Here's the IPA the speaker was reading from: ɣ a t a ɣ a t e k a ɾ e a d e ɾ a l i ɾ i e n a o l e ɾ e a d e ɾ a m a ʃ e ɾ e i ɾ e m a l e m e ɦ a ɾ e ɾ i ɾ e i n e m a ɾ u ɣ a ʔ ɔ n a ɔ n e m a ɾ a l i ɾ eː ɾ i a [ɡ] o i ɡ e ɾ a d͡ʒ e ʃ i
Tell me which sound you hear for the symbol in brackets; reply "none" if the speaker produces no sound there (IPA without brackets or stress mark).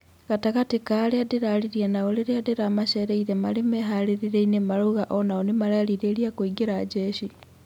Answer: k